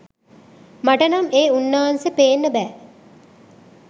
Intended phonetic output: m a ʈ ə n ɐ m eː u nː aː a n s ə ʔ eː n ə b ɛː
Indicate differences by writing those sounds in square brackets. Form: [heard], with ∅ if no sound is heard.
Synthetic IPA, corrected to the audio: m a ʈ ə n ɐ m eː u nː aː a n s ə [p] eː [nː] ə b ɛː